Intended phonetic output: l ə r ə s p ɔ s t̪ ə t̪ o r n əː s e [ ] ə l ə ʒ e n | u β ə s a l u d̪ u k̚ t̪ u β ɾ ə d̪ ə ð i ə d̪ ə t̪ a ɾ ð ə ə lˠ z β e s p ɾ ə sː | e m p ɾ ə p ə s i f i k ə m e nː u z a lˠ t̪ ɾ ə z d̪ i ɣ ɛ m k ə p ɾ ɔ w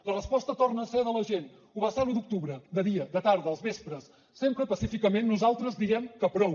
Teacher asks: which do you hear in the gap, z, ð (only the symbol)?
ð